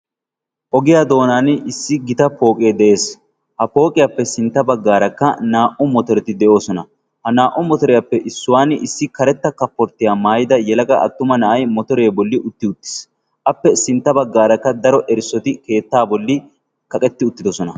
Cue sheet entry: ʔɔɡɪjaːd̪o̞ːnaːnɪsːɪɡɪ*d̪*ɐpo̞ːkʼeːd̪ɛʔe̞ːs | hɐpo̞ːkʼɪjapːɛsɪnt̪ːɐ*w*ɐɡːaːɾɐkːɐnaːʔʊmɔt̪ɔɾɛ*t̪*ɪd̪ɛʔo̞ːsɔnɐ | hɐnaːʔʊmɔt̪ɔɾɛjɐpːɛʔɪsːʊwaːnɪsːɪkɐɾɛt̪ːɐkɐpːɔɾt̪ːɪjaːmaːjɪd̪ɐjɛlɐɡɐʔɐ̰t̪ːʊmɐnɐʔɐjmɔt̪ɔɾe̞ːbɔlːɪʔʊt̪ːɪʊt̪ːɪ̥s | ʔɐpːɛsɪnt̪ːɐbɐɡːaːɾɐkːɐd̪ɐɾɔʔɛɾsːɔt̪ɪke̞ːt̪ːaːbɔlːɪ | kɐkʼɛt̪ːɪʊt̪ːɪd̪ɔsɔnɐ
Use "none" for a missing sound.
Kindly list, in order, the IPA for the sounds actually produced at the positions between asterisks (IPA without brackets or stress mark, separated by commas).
t̪, b, t̪